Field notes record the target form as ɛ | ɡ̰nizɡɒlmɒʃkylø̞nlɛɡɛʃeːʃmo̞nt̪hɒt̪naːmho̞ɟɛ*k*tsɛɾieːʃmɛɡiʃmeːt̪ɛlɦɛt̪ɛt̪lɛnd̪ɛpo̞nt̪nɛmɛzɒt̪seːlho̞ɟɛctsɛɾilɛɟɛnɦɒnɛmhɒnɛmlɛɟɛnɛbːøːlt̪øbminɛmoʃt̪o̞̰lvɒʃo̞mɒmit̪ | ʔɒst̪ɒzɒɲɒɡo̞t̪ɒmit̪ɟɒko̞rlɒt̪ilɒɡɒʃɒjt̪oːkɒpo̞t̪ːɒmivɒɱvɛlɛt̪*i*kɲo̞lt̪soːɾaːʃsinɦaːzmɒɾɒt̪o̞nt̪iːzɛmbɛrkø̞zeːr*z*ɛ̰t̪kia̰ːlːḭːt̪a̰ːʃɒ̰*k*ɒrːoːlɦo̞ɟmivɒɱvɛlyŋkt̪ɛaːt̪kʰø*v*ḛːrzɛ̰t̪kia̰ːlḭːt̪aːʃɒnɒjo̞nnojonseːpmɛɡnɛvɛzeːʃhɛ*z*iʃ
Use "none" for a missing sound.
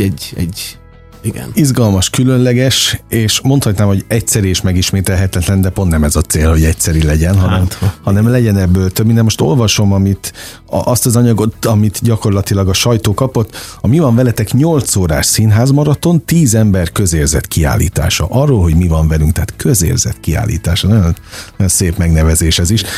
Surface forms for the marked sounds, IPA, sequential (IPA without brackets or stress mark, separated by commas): c, ɛ, z, ʔ, z, z